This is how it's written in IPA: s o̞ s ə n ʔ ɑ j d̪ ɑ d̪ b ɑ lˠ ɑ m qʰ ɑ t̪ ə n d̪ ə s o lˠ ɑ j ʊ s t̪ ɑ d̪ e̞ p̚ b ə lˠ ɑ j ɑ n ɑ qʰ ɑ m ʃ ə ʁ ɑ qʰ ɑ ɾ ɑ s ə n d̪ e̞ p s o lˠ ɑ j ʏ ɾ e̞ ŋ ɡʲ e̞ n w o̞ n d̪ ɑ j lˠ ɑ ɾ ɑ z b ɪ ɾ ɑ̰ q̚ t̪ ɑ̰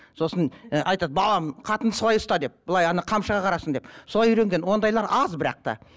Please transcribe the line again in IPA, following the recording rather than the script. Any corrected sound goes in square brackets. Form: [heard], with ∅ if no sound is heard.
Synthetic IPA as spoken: s o̞ s ə n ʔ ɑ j [t̪] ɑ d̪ b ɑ lˠ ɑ m qʰ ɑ t̪ ə n d̪ ə s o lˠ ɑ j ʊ s t̪ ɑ d̪ e̞ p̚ b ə lˠ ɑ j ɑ n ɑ qʰ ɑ m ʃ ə ʁ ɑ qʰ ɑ ɾ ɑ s ə n d̪ e̞ p s o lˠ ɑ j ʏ ɾ e̞ ŋ ɡʲ e̞ n w o̞ n d̪ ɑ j lˠ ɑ ɾ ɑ z b ɪ ɾ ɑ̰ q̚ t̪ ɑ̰